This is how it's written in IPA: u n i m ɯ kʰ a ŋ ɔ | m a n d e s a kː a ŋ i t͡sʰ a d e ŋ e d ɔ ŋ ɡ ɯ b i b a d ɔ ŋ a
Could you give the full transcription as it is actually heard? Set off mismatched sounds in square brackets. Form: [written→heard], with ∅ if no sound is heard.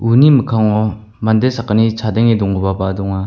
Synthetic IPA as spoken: u n i m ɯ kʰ a ŋ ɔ | m a n d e s a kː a [ŋ→n] i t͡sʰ a d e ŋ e d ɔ ŋ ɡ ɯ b [i→a] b a d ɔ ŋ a